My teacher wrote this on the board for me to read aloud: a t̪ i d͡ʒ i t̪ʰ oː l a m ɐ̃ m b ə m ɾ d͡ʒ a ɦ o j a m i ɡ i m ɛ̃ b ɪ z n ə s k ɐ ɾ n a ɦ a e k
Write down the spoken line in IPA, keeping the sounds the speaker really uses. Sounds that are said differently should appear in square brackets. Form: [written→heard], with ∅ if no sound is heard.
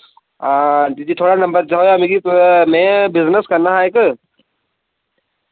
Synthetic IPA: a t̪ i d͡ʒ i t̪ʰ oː [l→ɽ] a [m→n] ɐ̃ m b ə [m→∅] ɾ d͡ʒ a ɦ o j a m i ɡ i m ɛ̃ b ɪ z n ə s k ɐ ɾ n a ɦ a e k